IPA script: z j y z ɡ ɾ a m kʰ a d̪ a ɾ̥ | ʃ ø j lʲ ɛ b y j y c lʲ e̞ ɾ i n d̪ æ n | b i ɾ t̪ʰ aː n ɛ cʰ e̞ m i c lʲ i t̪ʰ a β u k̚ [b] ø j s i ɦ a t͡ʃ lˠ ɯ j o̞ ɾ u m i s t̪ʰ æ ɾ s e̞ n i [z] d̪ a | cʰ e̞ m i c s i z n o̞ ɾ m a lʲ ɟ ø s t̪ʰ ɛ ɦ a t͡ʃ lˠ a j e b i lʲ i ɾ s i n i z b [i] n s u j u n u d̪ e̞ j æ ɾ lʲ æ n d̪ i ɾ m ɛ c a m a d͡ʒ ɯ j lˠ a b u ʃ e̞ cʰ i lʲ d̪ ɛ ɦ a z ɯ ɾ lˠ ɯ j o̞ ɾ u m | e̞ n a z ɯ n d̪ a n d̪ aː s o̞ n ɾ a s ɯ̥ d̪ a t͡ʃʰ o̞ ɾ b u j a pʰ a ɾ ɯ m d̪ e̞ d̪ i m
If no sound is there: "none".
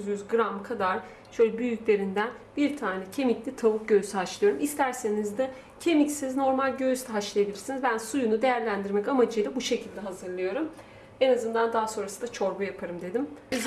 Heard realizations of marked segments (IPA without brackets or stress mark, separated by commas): ɟ, z, æ